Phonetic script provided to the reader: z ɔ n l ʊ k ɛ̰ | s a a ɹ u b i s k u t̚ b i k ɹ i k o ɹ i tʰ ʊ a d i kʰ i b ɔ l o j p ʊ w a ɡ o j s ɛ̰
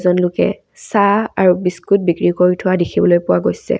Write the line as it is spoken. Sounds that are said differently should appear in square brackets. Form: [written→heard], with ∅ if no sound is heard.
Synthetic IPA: z ɔ n l ʊ k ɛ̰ | s a a ɹ u b i s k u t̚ b i k ɹ i k o ɹ i tʰ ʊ a d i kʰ i b ɔ l o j p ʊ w a ɡ o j s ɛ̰